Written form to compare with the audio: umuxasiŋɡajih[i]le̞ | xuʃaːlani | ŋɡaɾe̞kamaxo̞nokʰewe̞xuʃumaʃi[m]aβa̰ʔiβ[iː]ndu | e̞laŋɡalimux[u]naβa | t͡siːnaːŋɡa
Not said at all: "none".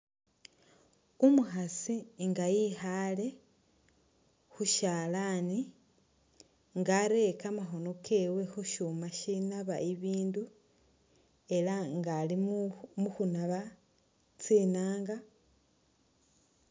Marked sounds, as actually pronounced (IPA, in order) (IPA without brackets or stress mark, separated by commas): a, n, iː, u